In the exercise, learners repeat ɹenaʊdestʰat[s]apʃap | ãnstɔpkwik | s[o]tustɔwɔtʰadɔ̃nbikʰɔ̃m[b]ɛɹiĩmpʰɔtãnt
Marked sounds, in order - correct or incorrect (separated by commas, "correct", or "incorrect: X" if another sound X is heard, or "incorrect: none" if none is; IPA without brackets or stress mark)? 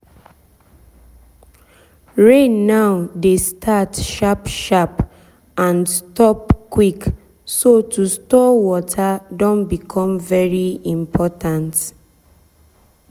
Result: incorrect: ʃ, correct, incorrect: v